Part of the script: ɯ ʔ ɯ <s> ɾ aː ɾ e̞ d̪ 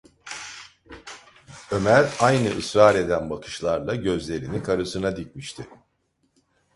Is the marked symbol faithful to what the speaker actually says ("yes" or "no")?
yes